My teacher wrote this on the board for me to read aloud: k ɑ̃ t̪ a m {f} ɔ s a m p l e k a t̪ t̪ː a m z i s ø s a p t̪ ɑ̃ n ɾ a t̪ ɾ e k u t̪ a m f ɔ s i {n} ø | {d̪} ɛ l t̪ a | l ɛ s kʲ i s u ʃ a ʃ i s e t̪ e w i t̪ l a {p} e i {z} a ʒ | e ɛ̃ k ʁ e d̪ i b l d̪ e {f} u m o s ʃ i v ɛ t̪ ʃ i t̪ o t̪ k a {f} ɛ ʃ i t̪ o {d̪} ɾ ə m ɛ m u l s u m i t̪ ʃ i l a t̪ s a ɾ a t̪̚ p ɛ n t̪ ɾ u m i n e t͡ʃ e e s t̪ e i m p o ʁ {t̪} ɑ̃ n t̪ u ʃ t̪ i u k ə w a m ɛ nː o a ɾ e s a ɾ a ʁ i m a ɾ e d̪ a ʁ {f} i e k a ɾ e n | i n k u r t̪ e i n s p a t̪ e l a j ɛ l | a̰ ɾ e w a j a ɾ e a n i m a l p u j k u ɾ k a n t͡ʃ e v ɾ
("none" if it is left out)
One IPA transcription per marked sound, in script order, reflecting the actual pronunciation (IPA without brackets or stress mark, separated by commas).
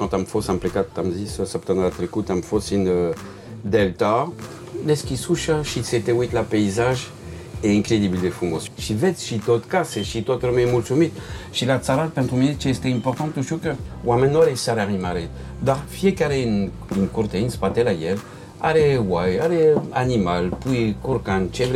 f, n, d̪, p, z, f, s, t̪, t̪, f